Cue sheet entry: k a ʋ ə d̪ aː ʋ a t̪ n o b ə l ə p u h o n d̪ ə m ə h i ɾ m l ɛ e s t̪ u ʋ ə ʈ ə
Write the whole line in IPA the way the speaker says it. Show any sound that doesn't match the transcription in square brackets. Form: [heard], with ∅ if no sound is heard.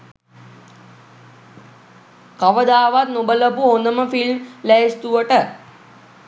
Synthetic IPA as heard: k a ʋ ə d̪ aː ʋ a t̪ n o b ə l ə p u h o n d̪ ə m ə [f] i [l] m l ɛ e s t̪ u ʋ ə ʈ ə